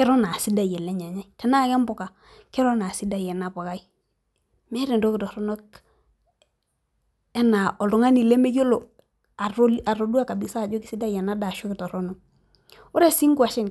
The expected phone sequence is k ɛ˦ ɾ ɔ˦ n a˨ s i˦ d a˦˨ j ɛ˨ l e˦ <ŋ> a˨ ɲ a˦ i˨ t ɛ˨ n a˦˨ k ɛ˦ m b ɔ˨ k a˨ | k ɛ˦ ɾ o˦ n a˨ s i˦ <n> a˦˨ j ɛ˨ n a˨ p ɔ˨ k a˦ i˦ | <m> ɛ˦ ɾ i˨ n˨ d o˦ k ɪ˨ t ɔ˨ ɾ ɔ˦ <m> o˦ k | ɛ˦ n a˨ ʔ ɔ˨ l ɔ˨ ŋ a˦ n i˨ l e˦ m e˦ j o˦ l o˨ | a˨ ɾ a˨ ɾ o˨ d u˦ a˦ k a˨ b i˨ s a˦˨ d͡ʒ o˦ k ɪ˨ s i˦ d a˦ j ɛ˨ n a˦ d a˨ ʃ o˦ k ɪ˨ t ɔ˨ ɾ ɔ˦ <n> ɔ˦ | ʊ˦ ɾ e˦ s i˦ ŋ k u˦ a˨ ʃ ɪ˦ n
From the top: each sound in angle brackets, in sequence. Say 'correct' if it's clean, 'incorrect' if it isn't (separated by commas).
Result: incorrect, incorrect, correct, incorrect, correct